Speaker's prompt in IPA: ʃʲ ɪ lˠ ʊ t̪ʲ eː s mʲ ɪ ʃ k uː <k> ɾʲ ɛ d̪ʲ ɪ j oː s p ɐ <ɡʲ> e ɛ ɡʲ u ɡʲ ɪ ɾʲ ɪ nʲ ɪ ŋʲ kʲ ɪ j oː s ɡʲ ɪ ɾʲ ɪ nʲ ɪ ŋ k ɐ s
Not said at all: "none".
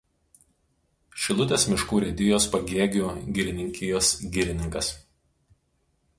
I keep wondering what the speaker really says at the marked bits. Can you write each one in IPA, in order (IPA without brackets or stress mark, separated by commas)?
none, ɡʲ